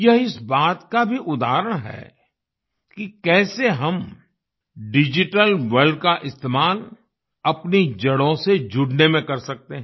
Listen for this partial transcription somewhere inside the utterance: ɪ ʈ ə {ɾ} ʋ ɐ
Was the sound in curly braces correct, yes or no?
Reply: no